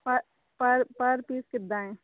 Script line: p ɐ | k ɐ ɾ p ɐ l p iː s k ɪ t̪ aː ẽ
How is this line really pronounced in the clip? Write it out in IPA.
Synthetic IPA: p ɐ | p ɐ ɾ p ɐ ɾ p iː s k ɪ d̪ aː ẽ